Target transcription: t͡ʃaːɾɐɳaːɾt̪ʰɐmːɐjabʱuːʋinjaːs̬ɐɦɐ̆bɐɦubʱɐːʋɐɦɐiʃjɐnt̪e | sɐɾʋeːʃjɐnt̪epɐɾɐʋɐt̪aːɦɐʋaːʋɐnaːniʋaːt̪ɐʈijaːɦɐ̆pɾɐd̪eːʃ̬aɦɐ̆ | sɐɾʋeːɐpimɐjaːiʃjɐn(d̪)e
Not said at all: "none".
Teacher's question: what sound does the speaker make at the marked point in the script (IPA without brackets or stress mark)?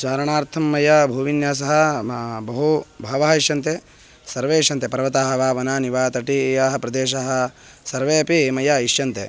t̪